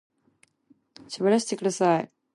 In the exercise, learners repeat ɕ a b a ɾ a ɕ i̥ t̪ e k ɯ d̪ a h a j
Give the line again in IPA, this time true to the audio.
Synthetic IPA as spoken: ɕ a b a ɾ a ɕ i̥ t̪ e k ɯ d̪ a s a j